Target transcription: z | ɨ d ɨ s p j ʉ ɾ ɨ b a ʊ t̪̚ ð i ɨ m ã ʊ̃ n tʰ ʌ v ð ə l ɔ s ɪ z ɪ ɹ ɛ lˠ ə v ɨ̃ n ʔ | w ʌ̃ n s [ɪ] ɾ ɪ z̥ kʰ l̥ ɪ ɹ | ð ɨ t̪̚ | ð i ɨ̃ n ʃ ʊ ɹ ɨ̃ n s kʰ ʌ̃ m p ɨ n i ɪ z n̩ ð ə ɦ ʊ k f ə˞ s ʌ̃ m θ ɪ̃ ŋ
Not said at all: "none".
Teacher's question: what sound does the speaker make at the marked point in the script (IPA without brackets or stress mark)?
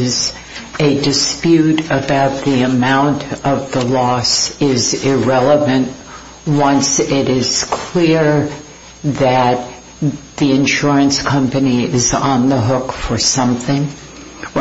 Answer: ɪ